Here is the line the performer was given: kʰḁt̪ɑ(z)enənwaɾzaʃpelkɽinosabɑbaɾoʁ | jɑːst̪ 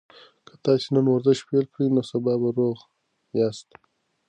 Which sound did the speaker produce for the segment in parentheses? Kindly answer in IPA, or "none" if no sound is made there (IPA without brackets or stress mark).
s